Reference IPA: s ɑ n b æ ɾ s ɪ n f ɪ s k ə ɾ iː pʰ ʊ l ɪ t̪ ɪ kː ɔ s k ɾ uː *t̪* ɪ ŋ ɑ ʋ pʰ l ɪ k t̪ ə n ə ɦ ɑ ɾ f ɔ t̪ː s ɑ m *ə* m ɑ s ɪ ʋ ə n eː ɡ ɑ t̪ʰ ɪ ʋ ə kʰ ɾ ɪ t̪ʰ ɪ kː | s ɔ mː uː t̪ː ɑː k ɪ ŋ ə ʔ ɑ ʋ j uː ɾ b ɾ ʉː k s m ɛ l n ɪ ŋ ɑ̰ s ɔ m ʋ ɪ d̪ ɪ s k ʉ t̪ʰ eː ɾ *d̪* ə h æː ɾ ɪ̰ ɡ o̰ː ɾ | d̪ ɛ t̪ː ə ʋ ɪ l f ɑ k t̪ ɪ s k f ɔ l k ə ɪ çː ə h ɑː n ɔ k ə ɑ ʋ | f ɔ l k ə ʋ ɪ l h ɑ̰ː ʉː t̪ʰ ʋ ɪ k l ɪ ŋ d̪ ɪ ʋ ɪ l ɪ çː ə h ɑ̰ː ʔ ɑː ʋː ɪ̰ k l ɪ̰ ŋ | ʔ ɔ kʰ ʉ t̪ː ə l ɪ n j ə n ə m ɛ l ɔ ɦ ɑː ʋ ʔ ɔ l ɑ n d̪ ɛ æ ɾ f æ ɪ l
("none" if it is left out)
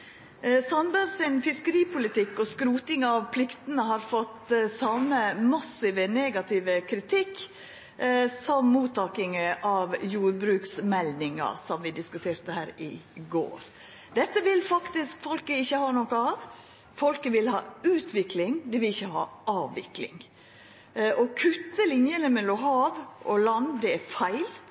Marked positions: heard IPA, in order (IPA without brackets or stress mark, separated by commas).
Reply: t̪, ə, t̪